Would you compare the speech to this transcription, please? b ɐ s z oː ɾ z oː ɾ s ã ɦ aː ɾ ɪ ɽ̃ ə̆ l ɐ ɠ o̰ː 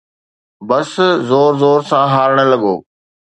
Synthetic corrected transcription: b ɐ s z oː ɾ z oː ɾ s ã ɦ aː ɾ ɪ ɽ̃ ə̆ l ɐ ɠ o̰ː